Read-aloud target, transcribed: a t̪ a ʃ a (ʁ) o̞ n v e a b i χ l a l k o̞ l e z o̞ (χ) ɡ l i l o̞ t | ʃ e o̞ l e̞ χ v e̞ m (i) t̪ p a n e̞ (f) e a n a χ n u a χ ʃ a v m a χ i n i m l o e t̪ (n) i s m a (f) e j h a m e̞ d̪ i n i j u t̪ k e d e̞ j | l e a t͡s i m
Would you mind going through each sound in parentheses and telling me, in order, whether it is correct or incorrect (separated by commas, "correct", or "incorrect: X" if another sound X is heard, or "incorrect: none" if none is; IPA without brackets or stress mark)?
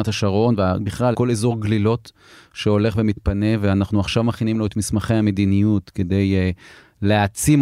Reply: correct, incorrect: ʁ, correct, incorrect: v, incorrect: m, incorrect: χ